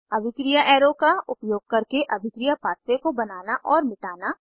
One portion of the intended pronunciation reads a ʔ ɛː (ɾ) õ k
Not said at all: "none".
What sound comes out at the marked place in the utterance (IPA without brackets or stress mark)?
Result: ɾ